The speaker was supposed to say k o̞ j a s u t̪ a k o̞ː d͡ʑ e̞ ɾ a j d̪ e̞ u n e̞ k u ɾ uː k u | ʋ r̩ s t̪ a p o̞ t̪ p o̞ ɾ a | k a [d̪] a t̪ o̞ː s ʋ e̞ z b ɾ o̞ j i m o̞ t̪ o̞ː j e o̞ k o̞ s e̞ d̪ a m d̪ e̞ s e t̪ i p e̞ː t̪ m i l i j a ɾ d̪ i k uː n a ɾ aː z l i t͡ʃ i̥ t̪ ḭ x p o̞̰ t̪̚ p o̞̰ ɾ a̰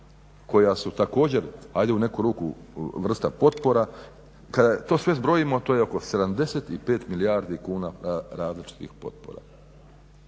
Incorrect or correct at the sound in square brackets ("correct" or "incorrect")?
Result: correct